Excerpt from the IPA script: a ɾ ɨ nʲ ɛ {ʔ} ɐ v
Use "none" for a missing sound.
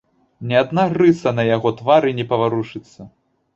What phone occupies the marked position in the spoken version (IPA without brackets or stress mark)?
p